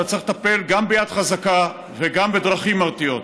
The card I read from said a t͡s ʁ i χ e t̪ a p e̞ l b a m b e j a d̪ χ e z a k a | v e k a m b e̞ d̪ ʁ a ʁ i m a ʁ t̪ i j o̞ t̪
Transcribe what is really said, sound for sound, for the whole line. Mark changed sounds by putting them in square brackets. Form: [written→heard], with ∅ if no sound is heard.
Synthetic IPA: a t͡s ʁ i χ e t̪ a p e̞ l [b→ɡ] a m b e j a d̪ χ [e→a] z a k a | v e [k→ɡ] a m b e̞ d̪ ʁ a [ʁ→χ] i m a ʁ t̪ i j o̞ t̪